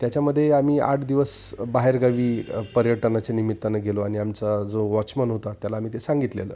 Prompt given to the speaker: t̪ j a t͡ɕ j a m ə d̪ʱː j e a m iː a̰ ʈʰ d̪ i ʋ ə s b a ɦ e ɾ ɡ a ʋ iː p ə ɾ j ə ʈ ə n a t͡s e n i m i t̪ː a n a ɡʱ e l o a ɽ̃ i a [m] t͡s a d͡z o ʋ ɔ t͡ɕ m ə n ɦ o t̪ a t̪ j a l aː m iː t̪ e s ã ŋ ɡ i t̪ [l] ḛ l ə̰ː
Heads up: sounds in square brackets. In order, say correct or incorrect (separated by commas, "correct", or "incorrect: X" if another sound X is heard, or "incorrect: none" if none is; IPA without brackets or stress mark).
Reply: correct, correct